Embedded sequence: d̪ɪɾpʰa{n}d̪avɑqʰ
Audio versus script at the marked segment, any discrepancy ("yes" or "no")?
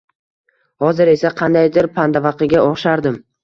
no